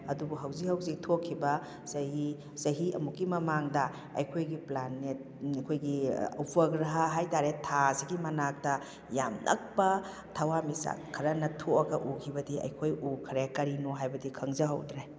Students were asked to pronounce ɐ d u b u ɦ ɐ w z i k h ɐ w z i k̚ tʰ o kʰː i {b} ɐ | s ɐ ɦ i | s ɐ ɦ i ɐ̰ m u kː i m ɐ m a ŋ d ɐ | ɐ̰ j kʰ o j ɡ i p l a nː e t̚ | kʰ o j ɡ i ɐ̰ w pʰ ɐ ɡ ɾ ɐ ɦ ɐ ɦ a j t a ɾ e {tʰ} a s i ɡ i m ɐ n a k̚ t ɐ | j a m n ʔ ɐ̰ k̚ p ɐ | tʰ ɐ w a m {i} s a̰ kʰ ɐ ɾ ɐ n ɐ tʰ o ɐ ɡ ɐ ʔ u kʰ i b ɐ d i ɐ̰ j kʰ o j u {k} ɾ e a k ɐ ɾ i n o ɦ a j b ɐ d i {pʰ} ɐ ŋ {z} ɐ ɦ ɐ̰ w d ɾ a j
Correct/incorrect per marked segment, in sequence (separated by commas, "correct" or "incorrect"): correct, correct, correct, incorrect, incorrect, correct